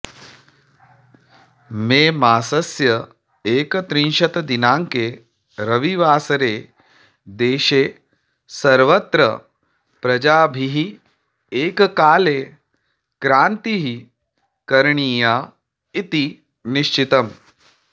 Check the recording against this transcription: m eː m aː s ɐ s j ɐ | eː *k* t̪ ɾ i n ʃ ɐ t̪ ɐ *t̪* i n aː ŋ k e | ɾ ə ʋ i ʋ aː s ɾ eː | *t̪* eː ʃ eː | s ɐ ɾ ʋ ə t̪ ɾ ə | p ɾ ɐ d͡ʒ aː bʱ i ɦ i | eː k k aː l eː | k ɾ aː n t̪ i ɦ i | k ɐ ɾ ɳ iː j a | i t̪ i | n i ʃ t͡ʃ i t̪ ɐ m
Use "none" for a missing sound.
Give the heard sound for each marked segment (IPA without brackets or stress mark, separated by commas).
k, d̪, d̪